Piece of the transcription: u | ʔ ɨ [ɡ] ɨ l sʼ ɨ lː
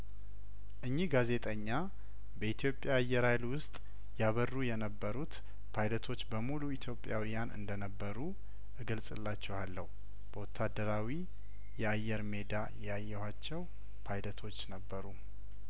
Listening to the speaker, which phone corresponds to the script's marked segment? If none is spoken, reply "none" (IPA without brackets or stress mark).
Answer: ɡ